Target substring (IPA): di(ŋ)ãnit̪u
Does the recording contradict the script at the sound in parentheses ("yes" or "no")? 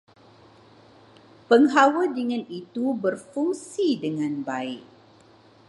no